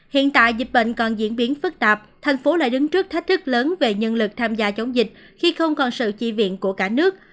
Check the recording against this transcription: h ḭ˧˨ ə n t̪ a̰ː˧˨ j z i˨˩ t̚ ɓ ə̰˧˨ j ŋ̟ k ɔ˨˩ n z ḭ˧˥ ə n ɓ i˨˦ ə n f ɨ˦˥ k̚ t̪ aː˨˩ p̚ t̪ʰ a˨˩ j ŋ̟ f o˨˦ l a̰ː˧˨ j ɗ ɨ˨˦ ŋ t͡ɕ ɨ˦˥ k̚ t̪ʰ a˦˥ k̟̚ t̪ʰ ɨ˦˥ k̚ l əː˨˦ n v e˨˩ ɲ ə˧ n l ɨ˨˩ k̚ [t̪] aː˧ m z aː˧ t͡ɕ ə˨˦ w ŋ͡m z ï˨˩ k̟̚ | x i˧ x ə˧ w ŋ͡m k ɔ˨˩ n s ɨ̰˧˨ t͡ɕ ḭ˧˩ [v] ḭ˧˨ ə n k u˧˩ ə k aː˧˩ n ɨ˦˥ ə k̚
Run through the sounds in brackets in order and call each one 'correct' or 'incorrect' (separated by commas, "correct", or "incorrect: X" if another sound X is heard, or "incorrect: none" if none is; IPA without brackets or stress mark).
incorrect: t̪ʰ, correct